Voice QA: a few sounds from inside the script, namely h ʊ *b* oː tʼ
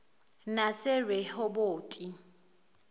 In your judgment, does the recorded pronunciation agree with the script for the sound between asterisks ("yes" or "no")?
yes